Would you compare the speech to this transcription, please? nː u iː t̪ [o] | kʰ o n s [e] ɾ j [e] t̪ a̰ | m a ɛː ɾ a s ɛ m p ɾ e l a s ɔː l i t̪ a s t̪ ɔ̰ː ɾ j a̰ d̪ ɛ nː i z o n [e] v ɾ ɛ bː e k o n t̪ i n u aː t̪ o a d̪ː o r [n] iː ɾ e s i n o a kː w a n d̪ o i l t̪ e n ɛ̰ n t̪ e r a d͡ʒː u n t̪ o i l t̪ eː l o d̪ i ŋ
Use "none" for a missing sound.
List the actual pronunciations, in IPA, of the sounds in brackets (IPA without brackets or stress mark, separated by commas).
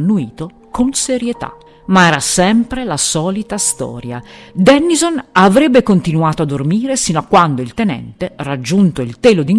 o, e, e, a, m